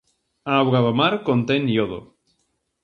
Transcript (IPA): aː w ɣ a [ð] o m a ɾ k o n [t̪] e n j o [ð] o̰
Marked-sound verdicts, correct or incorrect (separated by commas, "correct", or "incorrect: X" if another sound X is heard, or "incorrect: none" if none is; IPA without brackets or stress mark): correct, correct, correct